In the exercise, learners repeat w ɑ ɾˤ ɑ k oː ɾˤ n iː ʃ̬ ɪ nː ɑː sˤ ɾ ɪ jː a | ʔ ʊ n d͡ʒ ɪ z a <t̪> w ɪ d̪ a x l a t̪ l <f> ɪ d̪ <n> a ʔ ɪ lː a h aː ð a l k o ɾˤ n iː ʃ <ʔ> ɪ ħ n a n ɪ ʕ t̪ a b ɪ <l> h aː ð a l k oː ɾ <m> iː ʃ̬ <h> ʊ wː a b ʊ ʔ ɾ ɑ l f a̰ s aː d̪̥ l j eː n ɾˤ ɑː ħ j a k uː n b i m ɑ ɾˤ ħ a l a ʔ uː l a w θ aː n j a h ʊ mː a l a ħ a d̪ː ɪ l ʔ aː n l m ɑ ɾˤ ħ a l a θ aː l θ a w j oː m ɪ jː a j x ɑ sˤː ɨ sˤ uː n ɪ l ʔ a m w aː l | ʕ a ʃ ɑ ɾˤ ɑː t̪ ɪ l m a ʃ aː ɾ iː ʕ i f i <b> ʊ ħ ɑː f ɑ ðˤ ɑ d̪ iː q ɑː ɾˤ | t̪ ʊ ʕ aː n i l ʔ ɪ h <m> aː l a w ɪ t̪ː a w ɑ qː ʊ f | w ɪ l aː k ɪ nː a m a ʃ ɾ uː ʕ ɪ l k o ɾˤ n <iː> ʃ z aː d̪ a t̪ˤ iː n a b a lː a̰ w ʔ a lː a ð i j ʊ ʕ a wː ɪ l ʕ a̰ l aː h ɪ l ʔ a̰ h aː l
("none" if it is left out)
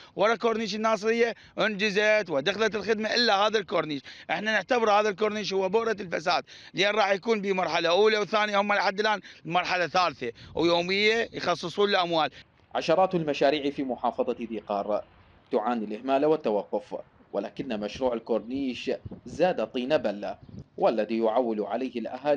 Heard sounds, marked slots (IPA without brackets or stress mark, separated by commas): t̪, x, m, ʔ, ɾ, n, h, m, m, iː